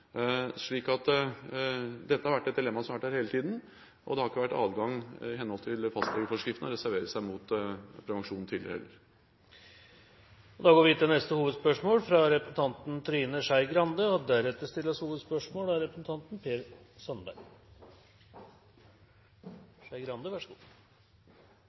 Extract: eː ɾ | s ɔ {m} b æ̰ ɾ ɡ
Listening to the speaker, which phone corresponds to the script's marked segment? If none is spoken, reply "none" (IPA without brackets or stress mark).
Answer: n